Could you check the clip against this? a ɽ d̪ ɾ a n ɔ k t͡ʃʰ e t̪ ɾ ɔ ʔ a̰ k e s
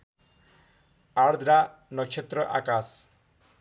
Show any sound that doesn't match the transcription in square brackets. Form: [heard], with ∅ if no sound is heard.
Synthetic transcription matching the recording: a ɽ d̪ ɾ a n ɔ k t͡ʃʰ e t̪ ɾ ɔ ʔ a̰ k [a] s